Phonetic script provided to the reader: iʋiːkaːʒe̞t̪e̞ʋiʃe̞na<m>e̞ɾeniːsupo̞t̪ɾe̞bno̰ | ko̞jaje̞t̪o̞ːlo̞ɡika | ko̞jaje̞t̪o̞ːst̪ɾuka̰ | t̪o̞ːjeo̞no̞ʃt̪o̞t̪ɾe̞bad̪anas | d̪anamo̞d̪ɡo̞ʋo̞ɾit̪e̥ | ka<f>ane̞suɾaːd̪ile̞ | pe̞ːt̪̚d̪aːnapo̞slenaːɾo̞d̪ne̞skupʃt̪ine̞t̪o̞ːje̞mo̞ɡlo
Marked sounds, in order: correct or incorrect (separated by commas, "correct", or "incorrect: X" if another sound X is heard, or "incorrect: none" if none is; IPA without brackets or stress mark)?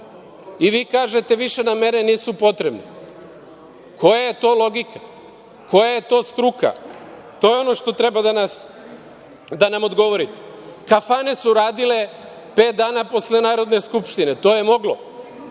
correct, correct